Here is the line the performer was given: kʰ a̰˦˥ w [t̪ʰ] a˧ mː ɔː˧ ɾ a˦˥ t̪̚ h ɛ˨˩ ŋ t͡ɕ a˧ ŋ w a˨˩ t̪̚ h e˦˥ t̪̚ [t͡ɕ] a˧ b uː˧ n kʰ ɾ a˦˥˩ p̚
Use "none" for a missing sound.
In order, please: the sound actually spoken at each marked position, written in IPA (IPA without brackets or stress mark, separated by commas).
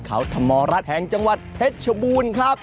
t̪ʰ, t͡ɕʰ